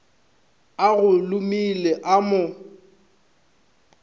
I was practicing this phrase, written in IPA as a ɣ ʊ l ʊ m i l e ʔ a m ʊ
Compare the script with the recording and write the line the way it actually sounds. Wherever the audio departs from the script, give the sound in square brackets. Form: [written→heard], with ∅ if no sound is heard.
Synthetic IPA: a ɣ ʊ l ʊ m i l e ʔ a m ʊ